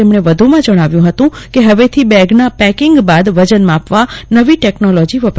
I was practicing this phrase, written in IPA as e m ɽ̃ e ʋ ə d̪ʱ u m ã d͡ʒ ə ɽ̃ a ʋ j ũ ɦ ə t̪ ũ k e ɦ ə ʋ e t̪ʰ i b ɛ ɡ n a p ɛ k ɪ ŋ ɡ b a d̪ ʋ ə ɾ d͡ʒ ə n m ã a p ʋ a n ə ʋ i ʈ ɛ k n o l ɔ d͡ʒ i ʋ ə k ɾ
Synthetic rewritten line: e m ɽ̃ e ʋ ə d̪ʱ u m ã d͡ʒ ə ɽ̃ a ʋ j ũ ɦ ə t̪ ũ k e ɦ ə ʋ e t̪ʰ i b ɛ ɡ n a p ɛ k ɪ ŋ ɡ b a d̪ ʋ ə d͡ʒ ə n m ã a p ʋ a n ə ʋ i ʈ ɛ k n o l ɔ d͡ʒ i ʋ ə p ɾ